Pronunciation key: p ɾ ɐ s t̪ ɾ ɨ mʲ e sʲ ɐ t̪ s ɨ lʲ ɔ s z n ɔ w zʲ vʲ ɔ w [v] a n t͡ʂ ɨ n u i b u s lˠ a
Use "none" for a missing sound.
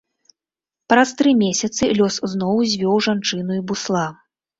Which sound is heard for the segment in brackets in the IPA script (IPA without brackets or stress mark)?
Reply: ʐ